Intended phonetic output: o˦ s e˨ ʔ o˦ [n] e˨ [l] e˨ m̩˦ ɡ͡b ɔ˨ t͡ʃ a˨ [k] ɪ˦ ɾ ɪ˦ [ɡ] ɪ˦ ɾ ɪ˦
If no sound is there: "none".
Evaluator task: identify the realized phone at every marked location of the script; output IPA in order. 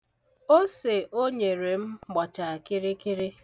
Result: ɲ, ɾ, k, k

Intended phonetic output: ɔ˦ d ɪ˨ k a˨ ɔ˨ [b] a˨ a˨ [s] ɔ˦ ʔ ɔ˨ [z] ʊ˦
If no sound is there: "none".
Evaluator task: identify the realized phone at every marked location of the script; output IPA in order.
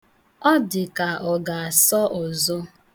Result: ɡ, s, z

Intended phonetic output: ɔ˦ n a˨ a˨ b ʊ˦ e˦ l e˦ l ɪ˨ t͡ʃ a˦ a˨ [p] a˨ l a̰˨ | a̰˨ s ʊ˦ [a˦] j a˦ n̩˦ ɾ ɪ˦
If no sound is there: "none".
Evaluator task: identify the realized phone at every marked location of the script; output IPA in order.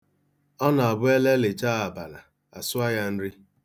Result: b, a˦

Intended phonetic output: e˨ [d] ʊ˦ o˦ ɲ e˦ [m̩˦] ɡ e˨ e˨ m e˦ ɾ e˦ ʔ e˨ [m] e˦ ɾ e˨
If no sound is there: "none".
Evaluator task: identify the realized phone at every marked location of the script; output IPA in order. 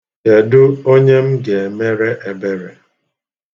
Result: d, m̩˦, b

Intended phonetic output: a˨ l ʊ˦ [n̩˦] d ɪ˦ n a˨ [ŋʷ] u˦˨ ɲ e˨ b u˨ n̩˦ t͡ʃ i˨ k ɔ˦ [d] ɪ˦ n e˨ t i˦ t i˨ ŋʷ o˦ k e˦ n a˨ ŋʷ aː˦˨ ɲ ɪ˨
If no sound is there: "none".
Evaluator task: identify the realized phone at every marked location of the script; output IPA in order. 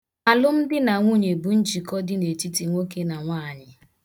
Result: m̩˦, ŋʷ, d

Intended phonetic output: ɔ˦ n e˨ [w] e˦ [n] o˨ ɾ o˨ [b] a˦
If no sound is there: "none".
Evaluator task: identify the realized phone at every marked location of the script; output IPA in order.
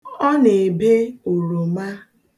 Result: b, none, m

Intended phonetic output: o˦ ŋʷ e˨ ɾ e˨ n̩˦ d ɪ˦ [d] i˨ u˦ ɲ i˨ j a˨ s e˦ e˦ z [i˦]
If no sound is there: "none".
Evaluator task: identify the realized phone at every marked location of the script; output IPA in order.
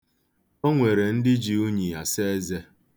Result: d͡ʒ, e˦

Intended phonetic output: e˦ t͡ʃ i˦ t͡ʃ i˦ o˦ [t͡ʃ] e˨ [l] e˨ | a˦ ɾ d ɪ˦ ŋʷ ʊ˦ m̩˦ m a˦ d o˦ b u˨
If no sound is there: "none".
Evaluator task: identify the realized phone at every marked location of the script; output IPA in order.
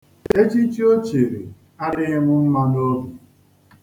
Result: t͡ʃ, ɾ

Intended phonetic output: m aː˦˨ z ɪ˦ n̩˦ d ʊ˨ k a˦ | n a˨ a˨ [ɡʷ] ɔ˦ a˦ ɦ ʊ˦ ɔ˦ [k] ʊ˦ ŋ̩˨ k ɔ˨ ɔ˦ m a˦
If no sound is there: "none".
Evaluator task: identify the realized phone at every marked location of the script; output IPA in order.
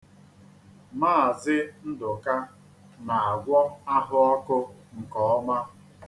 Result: ɡʷ, k

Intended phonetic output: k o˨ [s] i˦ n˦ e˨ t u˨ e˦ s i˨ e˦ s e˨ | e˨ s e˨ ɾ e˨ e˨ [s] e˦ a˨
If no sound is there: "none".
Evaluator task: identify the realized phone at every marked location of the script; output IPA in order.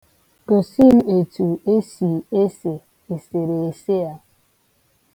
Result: s, s

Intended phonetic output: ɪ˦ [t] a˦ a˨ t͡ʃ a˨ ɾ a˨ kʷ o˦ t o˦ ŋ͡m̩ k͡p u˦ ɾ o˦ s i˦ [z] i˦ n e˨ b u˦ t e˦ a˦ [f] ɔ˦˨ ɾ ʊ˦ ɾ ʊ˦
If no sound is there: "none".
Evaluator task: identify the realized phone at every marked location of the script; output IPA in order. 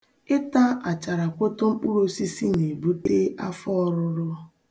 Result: t, s, f

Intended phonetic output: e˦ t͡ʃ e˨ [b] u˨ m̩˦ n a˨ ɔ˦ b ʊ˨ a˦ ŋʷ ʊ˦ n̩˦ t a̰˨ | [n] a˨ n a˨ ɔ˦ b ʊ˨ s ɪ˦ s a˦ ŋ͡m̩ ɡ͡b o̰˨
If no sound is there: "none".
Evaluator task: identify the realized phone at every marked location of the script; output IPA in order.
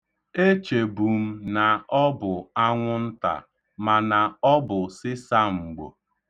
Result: b, m

